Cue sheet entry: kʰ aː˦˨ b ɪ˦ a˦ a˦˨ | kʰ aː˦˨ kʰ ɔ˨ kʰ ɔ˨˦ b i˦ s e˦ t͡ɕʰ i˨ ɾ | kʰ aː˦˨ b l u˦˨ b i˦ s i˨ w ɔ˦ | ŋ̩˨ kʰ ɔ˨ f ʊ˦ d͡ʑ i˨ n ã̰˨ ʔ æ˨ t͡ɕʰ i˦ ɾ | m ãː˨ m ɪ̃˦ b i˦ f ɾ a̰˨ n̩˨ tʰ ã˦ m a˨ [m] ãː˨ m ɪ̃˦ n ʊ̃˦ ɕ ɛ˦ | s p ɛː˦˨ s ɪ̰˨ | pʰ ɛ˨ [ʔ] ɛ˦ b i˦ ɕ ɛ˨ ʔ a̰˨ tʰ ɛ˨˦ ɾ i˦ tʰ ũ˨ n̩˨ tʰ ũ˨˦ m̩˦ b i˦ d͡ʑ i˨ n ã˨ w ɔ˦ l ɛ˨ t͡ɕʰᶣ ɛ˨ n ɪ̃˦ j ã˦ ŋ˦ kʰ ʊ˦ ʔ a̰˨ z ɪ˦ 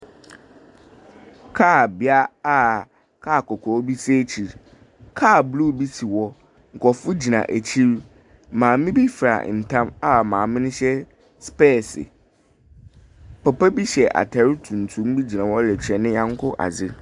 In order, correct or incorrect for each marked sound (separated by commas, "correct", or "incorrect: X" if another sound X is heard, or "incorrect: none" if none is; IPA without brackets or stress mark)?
correct, incorrect: p